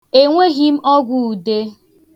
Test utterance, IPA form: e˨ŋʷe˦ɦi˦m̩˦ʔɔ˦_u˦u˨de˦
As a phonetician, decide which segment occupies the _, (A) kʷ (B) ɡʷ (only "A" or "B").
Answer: B